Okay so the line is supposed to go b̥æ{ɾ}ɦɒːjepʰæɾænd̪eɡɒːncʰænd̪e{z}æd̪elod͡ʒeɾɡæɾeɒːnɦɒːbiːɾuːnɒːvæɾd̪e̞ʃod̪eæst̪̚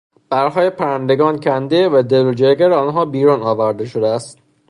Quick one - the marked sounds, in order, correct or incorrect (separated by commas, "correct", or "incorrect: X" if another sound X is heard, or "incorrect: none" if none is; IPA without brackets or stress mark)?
correct, incorrect: v